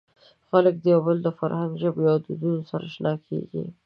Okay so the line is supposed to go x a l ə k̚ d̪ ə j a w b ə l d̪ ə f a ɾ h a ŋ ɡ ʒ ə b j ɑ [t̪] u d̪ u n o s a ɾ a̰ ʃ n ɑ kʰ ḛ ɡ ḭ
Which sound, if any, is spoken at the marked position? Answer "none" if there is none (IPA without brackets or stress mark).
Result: d̪